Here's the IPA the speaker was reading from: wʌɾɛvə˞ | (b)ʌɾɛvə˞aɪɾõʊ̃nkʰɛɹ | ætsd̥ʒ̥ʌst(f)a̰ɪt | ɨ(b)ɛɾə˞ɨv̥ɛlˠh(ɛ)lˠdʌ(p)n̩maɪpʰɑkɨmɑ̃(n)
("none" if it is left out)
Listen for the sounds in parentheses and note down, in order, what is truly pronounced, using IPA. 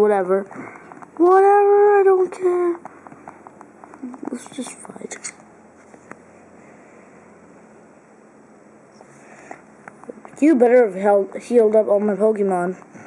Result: w, f, b, i, p, n

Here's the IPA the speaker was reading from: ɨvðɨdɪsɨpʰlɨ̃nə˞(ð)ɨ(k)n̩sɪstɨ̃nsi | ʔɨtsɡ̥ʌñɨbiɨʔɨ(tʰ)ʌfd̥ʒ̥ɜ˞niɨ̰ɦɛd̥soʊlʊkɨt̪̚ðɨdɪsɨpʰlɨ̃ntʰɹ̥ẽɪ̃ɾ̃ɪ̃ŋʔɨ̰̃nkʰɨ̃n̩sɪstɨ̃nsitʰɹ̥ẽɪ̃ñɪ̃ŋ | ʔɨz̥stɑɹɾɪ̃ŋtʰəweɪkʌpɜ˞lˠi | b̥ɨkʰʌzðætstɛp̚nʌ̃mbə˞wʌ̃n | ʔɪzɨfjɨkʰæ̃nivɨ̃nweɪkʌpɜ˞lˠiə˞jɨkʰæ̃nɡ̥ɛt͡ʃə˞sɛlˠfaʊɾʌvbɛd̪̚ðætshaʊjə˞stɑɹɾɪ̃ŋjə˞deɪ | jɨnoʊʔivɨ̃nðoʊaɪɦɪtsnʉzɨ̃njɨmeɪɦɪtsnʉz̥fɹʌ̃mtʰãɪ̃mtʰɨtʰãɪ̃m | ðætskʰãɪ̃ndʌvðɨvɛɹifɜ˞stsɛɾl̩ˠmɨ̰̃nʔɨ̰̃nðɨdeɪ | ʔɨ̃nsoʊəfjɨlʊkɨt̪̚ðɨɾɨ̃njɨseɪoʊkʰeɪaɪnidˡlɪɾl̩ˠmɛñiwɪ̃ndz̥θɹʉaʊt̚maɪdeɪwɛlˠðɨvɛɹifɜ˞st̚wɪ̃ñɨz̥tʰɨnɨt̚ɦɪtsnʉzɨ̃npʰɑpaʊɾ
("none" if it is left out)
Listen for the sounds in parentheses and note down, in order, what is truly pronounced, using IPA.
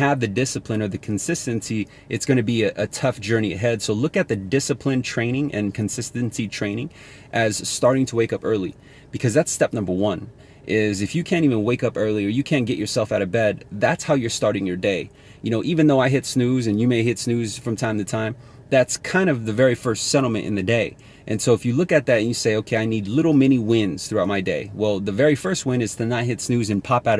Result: ð, kʰ, tʰ

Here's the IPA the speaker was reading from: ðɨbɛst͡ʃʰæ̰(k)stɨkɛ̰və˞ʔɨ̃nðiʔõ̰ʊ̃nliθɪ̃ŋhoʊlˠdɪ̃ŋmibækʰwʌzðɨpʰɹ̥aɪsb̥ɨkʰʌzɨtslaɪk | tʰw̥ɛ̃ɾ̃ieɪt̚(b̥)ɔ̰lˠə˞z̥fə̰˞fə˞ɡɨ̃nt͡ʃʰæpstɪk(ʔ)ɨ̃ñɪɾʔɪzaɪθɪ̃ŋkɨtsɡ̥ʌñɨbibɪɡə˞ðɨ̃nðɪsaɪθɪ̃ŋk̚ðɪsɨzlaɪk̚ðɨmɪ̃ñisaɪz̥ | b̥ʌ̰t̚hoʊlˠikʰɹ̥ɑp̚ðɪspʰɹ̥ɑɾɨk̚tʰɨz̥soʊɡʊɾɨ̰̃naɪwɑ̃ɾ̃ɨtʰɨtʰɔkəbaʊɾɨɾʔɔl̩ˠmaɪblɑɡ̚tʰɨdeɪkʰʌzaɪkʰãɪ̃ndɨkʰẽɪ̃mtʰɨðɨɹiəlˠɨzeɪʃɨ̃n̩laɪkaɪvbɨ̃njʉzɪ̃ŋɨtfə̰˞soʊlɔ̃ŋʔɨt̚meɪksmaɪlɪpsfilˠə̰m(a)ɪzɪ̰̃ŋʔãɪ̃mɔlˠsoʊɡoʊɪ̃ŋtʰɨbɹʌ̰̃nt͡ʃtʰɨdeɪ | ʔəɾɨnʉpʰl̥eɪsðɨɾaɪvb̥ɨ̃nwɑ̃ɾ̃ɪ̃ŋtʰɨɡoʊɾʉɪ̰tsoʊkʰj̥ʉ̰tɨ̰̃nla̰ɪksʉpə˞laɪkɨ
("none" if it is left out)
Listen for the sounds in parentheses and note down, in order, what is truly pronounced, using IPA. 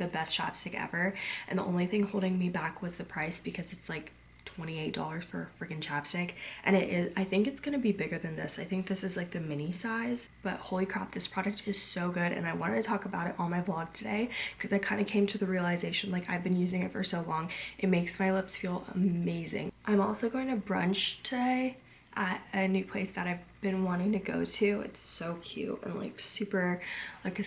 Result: p, d̥, ʔ, e

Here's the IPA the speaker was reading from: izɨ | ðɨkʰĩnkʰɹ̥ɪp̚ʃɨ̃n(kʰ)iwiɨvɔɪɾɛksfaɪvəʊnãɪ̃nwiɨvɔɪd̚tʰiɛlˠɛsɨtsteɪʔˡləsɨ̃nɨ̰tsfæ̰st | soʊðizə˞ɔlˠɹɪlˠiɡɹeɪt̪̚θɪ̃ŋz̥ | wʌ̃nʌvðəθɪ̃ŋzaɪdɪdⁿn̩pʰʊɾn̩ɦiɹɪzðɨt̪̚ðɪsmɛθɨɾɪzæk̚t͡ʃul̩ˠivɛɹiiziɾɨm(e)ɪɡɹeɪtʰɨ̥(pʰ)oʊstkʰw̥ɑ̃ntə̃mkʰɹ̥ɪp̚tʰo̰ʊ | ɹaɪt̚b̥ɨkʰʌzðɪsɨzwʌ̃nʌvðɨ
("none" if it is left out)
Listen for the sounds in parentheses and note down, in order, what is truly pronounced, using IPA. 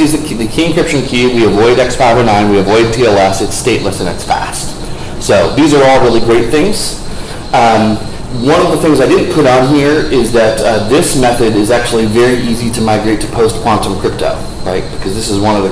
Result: kʰ, a, pʰ

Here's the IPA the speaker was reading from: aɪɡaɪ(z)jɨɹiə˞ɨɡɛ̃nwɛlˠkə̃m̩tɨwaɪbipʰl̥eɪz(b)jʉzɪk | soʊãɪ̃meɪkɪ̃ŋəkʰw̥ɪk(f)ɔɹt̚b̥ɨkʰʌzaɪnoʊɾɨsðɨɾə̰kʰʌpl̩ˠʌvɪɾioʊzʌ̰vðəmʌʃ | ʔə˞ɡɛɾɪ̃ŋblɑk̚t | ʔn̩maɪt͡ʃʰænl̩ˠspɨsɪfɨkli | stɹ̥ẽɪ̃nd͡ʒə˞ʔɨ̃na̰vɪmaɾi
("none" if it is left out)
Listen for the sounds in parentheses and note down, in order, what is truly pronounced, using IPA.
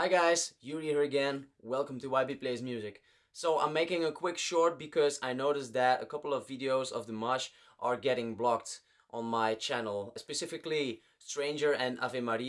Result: z, m, ʃ

